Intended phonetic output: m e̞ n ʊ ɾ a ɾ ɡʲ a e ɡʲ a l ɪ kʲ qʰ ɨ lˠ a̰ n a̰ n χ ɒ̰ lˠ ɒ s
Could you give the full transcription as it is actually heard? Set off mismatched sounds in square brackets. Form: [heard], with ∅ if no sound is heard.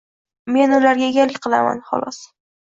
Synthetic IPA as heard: m e̞ n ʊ [l] a ɾ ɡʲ a e ɡʲ a l ɪ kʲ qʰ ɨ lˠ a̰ [m] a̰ n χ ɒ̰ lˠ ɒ s